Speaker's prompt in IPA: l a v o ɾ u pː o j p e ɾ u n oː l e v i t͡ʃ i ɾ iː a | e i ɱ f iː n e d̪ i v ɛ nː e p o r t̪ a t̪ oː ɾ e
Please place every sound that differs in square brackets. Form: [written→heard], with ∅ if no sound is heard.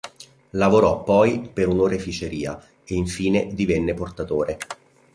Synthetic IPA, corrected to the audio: l a v o ɾ [u→ɔ] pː [o→ɔ] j p e ɾ u n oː [l→ɾ] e [v→f] i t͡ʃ [i→e] ɾ iː a | e i ɱ f iː n e d̪ i v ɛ nː e p o r t̪ a t̪ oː ɾ e